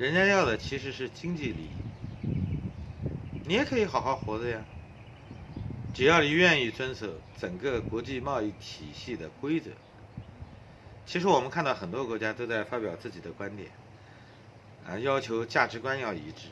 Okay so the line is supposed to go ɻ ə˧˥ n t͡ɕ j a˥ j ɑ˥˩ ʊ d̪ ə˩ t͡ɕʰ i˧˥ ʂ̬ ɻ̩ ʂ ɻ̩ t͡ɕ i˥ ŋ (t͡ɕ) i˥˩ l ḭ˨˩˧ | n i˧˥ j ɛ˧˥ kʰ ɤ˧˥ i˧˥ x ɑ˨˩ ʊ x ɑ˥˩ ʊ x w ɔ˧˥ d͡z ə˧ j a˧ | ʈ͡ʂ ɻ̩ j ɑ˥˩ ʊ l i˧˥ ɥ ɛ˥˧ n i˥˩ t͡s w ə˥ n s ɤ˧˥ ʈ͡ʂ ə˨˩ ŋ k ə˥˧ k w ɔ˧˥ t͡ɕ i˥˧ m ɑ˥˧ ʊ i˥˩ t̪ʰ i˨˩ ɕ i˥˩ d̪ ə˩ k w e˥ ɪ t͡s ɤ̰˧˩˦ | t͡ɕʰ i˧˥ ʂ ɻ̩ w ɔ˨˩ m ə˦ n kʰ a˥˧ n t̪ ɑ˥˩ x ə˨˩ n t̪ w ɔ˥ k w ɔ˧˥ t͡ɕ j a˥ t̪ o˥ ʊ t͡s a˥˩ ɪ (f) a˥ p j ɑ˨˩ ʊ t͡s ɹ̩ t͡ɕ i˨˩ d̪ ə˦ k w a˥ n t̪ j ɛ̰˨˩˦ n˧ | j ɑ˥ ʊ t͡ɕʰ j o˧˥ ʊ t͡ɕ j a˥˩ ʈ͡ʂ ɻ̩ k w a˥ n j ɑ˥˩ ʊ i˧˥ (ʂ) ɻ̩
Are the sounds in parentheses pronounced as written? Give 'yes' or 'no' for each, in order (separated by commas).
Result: yes, yes, no